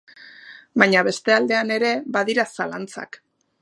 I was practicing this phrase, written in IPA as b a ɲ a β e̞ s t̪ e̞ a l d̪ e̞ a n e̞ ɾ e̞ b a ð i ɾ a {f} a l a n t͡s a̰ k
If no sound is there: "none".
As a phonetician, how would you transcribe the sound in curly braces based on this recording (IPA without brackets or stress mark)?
s